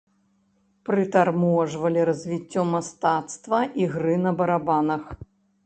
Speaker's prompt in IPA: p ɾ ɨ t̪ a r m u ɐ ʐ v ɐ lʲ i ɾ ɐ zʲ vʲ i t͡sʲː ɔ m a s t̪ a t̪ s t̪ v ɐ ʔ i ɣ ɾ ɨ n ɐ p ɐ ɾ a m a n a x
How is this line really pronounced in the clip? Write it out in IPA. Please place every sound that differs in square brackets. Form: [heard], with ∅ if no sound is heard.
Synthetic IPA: p ɾ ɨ t̪ a r m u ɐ ʐ v ɐ lʲ i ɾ ɐ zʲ vʲ i t͡sʲː ɔ m a s t̪ a t̪ s t̪ v ɐ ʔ i ɣ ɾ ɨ n ɐ [b] ɐ ɾ a [b] a n [ɐ] x